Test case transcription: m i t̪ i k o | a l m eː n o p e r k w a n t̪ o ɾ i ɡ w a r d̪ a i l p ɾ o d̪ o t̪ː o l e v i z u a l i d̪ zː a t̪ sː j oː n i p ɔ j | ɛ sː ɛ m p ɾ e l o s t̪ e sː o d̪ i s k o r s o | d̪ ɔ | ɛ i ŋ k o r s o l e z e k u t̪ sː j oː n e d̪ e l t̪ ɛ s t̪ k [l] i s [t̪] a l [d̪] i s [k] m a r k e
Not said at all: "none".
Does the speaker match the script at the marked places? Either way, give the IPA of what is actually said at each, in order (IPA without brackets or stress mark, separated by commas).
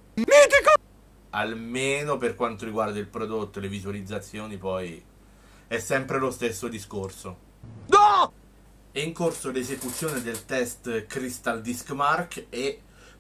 ɾ, t̪, d̪, k